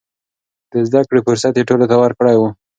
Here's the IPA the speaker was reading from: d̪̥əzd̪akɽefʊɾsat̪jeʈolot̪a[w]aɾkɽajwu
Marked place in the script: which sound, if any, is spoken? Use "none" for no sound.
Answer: w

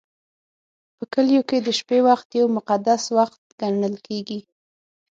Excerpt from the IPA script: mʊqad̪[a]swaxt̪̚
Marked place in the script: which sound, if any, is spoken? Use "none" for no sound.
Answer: a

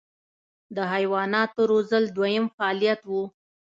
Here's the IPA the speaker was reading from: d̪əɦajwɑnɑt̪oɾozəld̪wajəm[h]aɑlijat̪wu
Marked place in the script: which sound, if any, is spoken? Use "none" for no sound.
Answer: f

